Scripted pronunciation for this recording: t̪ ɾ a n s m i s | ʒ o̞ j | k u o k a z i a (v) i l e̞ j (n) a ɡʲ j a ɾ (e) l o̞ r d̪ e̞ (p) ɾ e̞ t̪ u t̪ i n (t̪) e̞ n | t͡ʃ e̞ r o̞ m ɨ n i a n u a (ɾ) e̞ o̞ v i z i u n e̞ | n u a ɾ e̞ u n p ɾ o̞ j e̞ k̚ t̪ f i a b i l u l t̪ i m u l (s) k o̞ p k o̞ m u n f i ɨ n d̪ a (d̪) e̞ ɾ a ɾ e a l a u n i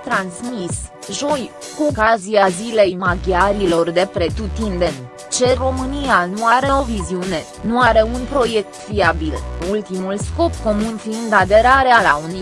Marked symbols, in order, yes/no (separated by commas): no, no, no, yes, no, yes, yes, yes